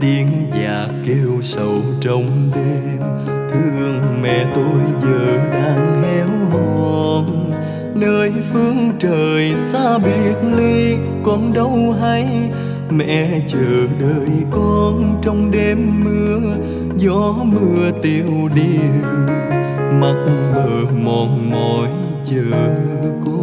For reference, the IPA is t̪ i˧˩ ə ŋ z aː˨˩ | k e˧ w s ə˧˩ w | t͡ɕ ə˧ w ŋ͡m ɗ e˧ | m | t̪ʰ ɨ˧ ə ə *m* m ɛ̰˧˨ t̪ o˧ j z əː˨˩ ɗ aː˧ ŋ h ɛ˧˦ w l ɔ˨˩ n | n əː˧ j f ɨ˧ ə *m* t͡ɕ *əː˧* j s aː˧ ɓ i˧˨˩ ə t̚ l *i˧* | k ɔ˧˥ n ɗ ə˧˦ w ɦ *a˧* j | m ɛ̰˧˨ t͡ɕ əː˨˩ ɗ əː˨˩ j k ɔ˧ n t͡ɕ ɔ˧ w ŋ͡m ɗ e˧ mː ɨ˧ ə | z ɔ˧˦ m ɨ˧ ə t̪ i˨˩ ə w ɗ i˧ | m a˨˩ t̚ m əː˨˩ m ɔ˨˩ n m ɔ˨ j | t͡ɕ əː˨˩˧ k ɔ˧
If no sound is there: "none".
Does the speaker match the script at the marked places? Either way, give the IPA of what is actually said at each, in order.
ŋ, ŋ, əː˨˩, i˧, a˧

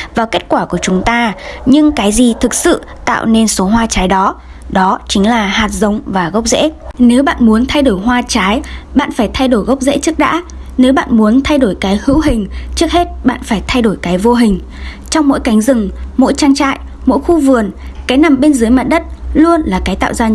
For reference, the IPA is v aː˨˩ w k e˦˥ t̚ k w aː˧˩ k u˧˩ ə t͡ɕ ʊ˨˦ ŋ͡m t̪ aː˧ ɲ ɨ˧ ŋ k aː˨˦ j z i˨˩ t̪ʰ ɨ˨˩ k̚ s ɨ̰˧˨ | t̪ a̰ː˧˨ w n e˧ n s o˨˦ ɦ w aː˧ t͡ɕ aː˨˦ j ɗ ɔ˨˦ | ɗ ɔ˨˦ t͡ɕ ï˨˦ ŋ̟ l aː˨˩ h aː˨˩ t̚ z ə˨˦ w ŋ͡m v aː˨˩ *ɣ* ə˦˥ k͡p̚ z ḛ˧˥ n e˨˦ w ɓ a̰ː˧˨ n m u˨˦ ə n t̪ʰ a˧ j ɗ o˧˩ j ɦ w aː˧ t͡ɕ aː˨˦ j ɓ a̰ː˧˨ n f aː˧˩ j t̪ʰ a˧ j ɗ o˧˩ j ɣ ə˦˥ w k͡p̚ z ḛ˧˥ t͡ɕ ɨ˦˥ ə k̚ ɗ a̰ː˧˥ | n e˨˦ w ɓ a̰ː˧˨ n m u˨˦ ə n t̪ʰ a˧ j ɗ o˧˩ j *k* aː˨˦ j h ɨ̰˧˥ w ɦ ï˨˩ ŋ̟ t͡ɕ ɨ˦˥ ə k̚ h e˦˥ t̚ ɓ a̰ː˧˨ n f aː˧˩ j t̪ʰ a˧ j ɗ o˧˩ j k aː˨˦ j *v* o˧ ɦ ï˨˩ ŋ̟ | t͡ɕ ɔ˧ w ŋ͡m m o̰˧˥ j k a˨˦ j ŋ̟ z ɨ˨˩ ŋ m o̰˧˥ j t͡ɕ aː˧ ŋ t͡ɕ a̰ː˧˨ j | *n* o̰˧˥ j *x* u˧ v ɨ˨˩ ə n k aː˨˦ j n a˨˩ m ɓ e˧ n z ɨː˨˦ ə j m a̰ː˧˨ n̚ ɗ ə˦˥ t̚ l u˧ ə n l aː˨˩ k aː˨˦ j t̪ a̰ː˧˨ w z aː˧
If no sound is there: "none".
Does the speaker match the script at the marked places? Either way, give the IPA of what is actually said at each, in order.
ɣ, k, v, m, x

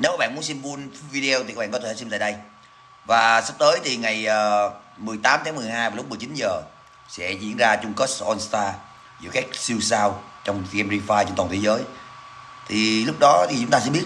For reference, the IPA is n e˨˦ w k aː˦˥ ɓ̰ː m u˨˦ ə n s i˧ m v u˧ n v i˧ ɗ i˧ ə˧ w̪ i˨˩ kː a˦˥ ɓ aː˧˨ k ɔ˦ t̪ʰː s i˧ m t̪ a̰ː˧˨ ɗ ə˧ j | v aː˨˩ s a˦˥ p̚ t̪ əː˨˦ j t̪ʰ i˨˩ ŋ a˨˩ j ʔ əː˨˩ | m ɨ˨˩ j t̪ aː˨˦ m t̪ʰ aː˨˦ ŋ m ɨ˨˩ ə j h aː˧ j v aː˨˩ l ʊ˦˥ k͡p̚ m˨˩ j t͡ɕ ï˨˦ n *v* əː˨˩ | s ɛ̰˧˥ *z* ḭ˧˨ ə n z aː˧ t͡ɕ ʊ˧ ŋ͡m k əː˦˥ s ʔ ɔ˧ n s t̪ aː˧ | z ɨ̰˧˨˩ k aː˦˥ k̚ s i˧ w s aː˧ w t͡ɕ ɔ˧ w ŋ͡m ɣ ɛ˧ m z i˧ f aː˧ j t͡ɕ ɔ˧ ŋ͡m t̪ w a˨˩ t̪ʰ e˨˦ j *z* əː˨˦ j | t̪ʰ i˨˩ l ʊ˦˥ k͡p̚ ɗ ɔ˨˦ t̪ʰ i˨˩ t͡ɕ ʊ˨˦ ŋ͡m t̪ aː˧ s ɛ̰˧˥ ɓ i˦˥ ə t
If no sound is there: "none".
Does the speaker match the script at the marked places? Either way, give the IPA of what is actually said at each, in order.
z, z, z

